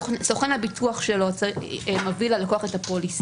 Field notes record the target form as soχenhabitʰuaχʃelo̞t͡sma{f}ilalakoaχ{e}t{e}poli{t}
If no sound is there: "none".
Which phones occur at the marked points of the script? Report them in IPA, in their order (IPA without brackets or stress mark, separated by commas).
v, e, a, s